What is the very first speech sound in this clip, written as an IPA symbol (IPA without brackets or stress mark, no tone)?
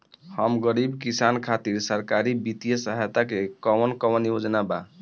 h